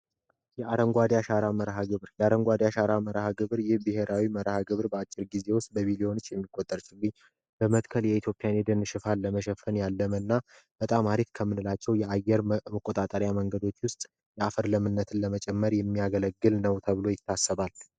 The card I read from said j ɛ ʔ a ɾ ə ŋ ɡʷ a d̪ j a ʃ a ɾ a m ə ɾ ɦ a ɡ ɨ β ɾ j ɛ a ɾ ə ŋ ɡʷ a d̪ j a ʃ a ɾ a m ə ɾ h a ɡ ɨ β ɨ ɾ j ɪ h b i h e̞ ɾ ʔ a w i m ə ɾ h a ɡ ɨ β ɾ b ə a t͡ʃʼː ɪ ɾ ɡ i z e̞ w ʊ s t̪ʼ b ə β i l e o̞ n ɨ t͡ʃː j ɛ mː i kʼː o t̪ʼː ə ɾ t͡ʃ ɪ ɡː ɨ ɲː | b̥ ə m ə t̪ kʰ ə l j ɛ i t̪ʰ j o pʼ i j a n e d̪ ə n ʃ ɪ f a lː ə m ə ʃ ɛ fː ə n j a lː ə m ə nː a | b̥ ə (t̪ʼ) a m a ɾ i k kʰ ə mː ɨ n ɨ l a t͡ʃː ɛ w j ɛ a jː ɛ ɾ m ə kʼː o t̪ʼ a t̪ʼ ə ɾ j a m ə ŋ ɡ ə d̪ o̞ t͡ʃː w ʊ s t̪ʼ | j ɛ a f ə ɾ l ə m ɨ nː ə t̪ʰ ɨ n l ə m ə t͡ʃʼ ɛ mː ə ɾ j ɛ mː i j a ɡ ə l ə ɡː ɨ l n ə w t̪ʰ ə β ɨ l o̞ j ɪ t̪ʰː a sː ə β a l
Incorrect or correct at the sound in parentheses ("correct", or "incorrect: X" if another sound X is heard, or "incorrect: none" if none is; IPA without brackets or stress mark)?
correct